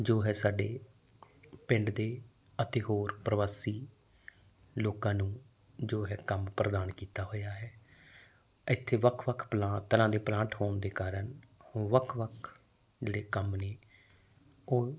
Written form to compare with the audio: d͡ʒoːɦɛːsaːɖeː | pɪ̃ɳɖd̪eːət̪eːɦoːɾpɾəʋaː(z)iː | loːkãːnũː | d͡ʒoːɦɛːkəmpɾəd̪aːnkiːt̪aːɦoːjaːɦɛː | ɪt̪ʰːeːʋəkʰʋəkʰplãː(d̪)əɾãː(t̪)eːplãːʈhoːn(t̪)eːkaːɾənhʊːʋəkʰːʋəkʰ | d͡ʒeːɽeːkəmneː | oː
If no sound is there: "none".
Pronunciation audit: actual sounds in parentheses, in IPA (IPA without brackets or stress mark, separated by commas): s, t̪, d̪, d̪